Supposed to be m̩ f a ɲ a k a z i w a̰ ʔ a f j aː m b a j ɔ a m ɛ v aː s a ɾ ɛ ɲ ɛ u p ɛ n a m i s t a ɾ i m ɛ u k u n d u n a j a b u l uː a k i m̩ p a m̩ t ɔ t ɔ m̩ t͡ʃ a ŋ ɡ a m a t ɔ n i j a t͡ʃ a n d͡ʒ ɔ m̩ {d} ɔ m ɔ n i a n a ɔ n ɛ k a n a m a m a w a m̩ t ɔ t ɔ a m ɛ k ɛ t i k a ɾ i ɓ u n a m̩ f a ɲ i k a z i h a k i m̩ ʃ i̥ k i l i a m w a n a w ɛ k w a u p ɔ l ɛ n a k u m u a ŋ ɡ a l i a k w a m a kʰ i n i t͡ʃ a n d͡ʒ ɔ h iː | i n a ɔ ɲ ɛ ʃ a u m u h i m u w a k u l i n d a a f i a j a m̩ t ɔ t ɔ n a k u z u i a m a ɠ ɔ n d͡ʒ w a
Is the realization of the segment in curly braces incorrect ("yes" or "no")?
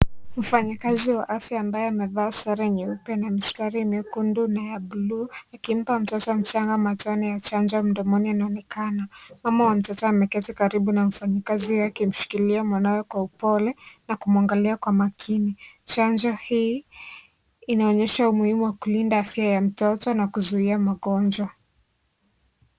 no